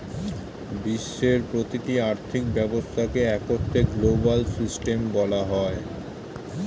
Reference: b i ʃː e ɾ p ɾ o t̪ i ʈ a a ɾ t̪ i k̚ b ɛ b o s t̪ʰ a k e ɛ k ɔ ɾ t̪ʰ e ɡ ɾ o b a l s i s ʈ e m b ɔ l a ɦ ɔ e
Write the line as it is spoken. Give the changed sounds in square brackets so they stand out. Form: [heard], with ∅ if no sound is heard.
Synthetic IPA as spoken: b i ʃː e ɾ p ɾ o t̪ i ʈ [i] a ɾ [t̪ʰ] i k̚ b ɛ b o s t̪ʰ a k e ɛ k [o] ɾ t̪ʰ e ɡ [l] o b a l s i s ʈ e m b ɔ l a ɦ ɔ e